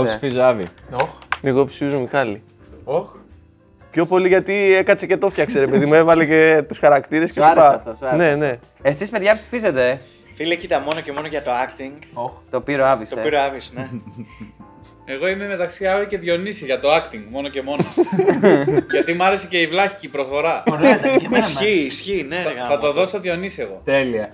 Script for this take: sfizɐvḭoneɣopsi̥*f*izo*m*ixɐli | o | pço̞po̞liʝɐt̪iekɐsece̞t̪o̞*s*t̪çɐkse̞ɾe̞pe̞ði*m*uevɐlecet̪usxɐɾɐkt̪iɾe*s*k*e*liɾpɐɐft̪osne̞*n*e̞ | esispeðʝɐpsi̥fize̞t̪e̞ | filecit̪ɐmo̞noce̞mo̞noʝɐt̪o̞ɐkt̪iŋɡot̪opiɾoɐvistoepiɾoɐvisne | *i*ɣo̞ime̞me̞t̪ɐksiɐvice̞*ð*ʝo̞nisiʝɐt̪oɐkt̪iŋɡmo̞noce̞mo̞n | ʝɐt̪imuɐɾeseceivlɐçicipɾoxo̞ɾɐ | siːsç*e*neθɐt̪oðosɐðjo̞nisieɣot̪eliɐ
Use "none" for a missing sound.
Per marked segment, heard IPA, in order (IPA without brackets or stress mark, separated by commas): f, m, f, m, s, e, n, e, ð, i